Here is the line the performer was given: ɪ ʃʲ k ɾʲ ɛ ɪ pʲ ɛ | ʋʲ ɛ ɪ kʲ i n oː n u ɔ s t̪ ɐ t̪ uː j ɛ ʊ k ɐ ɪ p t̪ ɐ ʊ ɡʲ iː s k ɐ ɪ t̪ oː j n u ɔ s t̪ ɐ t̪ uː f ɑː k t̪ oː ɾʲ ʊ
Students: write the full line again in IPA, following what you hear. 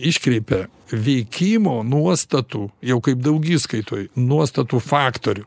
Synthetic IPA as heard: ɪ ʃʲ k ɾʲ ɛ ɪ pʲ ɛ | ʋʲ ɛ ɪ kʲ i m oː n u ɔ s t̪ ɐ t̪ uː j ɛ ʊ k ɐ ɪ p d̪ ɐ ʊ ɡʲ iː s k ɐ ɪ t̪ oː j n u ɔ s t̪ ɐ t̪ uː f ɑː k t̪ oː ɾʲ ʊ

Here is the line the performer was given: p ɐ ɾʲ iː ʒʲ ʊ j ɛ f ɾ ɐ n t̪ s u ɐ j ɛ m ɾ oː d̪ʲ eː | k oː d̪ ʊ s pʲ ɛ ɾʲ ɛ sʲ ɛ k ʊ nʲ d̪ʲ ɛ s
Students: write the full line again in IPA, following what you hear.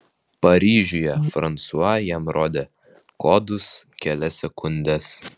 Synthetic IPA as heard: p ɐ ɾʲ iː ʒʲ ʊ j ɛ f ɾ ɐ n t̪ s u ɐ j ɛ m ɾ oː d̪ʲ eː | k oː d̪ ʊ s kʲ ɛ lʲ ɛ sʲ ɛ k ʊ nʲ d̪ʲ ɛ s

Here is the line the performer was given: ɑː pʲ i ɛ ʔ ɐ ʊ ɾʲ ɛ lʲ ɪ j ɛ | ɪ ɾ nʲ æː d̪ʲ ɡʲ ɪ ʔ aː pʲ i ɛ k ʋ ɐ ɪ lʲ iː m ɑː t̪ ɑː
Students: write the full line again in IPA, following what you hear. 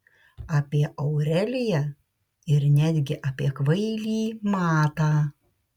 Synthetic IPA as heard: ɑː pʲ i ɛ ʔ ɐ ʊ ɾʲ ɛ lʲ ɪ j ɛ | ɪ ɾ nʲ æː d̪ʲ ɡʲ ɪ ʔ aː pʲ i ɛ k ʋ ɐ ɪ lʲ iː m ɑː t̪ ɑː

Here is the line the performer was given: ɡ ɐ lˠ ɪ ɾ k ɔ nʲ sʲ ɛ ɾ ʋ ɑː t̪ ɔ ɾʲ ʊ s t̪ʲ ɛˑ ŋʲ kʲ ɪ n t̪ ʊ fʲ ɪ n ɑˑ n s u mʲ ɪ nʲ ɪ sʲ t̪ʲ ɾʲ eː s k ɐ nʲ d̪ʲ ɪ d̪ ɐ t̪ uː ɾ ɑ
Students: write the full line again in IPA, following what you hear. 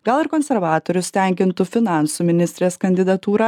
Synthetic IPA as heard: ɡ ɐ lˠ ɪ ɾ k ɔ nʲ sʲ ɛ ɾ ʋ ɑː t̪ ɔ ɾʲ ʊ s t̪ʲ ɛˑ ŋʲ kʲ ɪ n t̪ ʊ fʲ ɪ n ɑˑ n s u mʲ ɪ nʲ ɪ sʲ t̪ʲ ɾʲ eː s k ɐ nʲ d̪ʲ ɪ d̪ ɐ t̪ uː ɾ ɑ

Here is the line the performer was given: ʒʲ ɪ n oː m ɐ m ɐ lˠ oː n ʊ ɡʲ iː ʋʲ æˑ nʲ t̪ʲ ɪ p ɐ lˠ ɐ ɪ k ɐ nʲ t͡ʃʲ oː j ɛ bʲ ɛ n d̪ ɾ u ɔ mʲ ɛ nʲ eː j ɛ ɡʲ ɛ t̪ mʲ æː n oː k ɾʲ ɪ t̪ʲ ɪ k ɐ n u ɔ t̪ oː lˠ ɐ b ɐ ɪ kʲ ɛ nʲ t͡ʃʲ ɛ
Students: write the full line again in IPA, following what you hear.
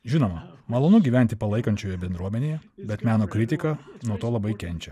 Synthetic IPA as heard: ʒʲ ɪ n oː m ɐ m ɐ lˠ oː n ʊ ɡʲ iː ʋʲ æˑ nʲ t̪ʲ ɪ p ɐ lˠ ɐ ɪ k ɐ nʲ t͡ʃʲ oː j ɛ bʲ ɛ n d̪ ɾ u ɔ mʲ ɛ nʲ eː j ɛ bʲ ɛ t̪ mʲ æː n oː k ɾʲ ɪ t̪ʲ ɪ k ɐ n u ɔ t̪ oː lˠ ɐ b ɐ ɪ kʲ ɛ nʲ t͡ʃʲ ɛ

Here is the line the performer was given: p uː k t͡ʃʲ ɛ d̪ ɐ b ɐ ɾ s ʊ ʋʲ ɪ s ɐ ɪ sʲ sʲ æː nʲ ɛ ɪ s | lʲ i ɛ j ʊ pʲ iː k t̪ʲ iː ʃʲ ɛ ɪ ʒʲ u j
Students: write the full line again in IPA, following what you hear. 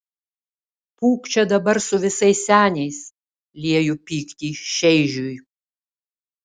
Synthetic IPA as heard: p uː k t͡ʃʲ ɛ d̪ ɐ b ɐ ɾ s ʊ ʋʲ ɪ s ɐ ɪ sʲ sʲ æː nʲ ɛ ɪ s | lʲ i ɛ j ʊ pʲ iː k t̪ʲ iː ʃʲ ɛ ɪ ʒʲ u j

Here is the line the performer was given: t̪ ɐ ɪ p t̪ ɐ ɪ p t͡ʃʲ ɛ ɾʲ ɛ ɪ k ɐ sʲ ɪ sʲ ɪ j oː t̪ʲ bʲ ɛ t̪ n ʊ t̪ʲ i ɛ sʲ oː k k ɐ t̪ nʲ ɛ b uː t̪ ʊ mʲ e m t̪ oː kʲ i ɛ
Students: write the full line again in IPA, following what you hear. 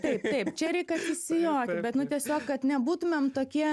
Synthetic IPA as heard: t̪ ɐ ɪ p t̪ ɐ ɪ p t͡ʃʲ ɛ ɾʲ ɛ ɪ k ɐ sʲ ɪ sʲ ɪ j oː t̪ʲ bʲ ɛ t̪ n ʊ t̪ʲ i ɛ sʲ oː k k ɐ t̪ nʲ ɛ b uː t̪ ʊ mʲ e m t̪ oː kʲ i ɛ

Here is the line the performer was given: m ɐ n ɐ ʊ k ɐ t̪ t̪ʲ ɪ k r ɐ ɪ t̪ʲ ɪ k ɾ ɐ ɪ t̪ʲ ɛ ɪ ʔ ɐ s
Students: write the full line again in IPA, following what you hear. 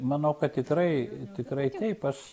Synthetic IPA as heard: m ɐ n ɐ ʊ k ɐ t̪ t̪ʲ ɪ k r ɐ ɪ t̪ʲ ɪ k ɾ ɐ ɪ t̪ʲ ɛ ɪ p ɐ ʃ

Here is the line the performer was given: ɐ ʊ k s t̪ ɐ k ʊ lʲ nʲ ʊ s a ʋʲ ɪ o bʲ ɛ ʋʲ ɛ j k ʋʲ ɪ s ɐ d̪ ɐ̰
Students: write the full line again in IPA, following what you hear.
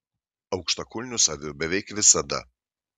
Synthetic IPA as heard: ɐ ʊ k ʃ t̪ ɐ k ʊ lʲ nʲ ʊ s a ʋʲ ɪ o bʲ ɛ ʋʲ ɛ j k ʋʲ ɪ s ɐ d̪ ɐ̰

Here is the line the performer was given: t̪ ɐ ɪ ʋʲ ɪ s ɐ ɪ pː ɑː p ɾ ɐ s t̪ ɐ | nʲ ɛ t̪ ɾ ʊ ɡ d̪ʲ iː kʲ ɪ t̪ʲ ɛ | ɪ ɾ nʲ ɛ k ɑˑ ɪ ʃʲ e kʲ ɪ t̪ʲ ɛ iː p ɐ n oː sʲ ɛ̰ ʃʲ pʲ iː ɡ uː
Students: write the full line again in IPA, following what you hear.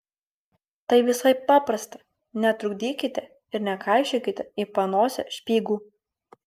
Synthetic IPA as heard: t̪ ɐ ɪ ʋʲ ɪ s ɐ ɪ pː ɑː p ɾ ɐ s t̪ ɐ | nʲ ɛ t̪ ɾ ʊ ɡ d̪ʲ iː kʲ ɪ t̪ʲ ɛ | ɪ ɾ nʲ ɛ k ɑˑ ɪ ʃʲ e kʲ ɪ t̪ʲ ɛ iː p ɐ n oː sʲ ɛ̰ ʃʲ pʲ iː ɡ uː

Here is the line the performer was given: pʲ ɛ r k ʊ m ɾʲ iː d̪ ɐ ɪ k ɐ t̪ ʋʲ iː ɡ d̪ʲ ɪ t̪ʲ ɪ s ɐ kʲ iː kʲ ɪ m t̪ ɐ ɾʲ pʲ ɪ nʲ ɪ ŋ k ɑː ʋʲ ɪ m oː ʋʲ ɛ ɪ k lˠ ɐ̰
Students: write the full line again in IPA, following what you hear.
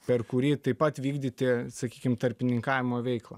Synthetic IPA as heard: pʲ ɛ r k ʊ ɾʲ iː t̪ ɐ ɪ p ɐ t̪ ʋʲ iː ɡ d̪ʲ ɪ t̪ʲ ɪ s ɐ kʲ iː kʲ ɪ m t̪ ɐ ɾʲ pʲ ɪ nʲ ɪ ŋ k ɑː ʋʲ ɪ m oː ʋʲ ɛ ɪ k lˠ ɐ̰

